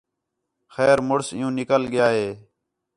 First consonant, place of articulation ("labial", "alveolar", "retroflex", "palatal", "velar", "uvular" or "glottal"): velar